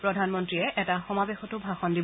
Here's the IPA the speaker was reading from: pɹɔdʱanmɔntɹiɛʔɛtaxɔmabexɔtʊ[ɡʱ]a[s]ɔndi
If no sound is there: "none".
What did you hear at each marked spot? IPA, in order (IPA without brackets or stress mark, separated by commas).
bʱ, x